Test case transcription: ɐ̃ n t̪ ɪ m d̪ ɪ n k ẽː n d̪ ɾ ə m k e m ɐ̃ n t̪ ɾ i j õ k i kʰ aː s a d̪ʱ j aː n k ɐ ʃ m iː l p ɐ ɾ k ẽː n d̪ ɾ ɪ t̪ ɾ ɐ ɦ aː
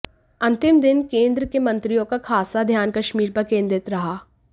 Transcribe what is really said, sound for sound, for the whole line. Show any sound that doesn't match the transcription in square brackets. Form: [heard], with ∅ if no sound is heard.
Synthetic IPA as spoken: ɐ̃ n t̪ ɪ m d̪ ɪ n k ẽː n d̪ ɾ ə [∅] k e m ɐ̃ n t̪ ɾ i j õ k [a] kʰ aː s a d̪ʱ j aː n k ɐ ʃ m iː [ɾ] p ɐ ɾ k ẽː n d̪ ɾ ɪ t̪ ɾ ɐ ɦ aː